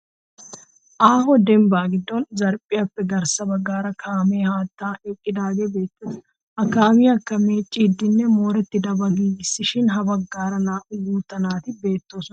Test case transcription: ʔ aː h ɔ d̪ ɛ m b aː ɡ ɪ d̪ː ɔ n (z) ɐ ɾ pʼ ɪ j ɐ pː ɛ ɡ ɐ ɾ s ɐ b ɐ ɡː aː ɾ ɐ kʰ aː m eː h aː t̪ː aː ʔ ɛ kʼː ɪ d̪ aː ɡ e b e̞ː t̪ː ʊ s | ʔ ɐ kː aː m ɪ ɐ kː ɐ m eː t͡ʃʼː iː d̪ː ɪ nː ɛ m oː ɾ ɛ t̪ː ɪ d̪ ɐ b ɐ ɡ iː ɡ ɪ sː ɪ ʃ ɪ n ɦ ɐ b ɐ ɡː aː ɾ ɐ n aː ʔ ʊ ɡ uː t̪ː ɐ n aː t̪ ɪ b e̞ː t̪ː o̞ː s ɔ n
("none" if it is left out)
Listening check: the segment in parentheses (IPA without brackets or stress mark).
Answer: z